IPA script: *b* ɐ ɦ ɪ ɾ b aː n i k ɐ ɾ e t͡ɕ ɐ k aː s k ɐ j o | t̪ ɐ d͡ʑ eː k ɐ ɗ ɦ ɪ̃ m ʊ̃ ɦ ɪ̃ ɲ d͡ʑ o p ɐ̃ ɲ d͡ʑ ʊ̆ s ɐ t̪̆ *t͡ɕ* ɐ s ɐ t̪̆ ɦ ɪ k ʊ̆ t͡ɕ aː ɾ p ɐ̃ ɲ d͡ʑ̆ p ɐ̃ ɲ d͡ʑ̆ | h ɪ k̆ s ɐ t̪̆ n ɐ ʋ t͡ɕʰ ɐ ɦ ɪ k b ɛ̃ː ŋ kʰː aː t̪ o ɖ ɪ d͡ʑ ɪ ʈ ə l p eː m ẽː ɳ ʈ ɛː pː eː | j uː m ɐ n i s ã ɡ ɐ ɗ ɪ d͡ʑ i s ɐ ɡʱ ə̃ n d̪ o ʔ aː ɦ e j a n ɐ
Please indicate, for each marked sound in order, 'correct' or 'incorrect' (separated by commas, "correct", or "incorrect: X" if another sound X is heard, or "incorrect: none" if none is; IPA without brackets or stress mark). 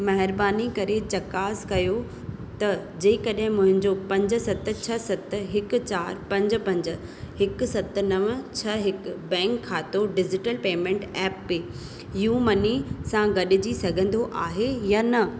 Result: incorrect: m, incorrect: t͡ɕʰ